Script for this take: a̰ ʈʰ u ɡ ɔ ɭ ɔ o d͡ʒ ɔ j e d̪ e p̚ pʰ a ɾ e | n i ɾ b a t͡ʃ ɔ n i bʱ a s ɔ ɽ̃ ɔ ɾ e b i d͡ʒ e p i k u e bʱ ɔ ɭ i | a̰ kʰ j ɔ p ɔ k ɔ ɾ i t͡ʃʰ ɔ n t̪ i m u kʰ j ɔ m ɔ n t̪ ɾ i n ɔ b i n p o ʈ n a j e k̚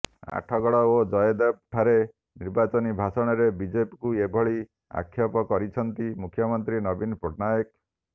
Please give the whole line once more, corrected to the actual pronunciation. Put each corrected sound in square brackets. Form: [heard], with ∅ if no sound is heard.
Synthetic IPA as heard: a̰ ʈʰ [ɔ] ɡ ɔ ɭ ɔ o d͡ʒ ɔ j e d̪ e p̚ [ʈʰ] a ɾ e | n i ɾ b a t͡ʃ ɔ n i bʱ a s ɔ ɽ̃ ɔ ɾ e b i d͡ʒ e p i k u e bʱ ɔ ɭ i | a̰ kʰ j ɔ p ɔ k ɔ ɾ i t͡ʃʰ ɔ n t̪ i m u kʰ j ɔ m ɔ n t̪ ɾ i n ɔ b i n p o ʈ n a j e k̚